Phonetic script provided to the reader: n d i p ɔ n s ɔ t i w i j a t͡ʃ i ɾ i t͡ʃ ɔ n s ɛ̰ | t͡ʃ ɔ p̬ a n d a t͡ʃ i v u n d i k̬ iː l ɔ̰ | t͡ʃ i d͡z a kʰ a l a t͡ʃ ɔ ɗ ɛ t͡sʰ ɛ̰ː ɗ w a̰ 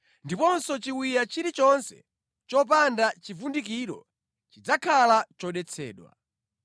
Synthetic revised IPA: n d i p ɔ n s ɔ t͡ʃ i w i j a t͡ʃ i ɾ i t͡ʃ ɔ n s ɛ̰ | t͡ʃ ɔ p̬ a n d a t͡ʃ i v u n d i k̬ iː ɾ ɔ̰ | t͡ʃ i d͡z a kʰ a l a t͡ʃ ɔ ɗ ɛ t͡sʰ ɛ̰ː ɗ w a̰